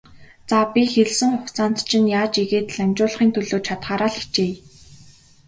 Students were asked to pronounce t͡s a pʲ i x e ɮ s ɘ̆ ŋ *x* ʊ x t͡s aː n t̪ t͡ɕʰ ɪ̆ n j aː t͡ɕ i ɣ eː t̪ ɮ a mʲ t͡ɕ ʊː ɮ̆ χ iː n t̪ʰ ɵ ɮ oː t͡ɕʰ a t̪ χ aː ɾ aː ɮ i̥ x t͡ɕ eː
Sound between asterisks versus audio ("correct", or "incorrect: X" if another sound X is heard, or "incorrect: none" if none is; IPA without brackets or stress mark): incorrect: χ